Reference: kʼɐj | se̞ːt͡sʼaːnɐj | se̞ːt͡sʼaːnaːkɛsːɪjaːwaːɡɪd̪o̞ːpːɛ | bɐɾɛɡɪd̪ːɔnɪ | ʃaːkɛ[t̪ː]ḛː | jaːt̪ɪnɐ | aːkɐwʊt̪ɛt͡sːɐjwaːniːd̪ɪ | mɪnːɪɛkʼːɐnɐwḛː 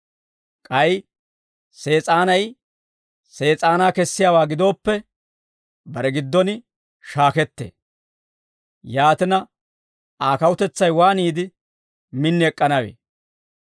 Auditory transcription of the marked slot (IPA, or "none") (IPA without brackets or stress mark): t̪ː